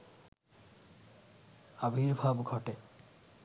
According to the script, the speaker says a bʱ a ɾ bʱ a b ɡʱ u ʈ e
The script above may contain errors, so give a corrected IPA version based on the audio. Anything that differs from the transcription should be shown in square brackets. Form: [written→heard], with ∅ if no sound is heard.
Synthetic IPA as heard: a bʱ [a→i] ɾ bʱ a b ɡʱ [u→ɔ] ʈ e